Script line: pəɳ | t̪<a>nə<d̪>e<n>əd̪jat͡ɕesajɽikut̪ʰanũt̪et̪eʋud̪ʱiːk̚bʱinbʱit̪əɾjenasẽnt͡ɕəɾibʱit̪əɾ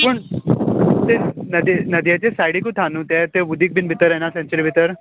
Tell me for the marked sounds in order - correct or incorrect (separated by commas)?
incorrect, correct, correct